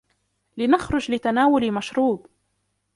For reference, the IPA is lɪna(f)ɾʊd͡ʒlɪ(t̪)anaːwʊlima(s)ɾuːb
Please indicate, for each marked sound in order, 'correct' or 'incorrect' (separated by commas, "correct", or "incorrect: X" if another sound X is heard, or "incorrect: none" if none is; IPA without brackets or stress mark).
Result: incorrect: x, correct, incorrect: ʃ